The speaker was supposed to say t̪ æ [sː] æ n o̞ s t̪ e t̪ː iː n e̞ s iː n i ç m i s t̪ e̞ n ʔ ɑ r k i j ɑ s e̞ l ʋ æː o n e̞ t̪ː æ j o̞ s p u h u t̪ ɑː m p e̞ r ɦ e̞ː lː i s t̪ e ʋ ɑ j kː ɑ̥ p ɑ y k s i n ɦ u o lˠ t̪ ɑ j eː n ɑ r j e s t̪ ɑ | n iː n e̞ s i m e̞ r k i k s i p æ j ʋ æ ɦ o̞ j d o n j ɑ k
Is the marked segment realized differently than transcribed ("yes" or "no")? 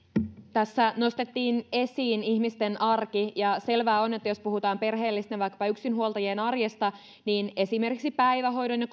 no